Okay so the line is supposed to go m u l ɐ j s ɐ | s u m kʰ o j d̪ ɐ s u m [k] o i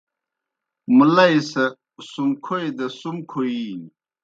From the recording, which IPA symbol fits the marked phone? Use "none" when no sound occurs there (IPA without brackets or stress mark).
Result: kʰ